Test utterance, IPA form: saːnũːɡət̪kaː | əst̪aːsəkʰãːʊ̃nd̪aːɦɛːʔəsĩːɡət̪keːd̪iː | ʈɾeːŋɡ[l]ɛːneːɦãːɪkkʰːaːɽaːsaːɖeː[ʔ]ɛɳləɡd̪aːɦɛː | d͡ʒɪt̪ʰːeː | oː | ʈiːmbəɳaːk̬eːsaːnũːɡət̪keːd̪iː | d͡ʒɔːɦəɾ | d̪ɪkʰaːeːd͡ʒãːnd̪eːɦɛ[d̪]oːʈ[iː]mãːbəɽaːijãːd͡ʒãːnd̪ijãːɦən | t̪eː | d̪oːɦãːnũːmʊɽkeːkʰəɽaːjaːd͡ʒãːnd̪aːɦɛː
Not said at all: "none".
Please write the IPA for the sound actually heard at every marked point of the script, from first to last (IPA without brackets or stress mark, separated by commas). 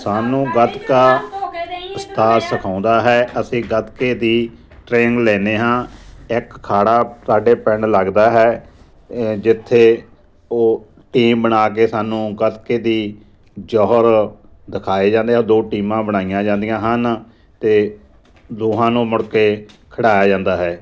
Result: l, p, d̪, iː